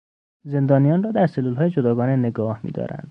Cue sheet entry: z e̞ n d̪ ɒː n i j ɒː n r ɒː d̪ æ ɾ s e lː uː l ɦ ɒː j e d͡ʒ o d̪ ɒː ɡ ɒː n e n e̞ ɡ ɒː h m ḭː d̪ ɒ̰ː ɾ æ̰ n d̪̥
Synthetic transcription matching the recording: z e̞ n d̪ ɒː n i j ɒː n r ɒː d̪ æ ɾ s e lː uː l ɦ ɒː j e d͡ʒ o d̪ ɒː ɡ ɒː n e n e̞ ɡ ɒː h m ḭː d̪ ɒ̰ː ɾ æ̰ n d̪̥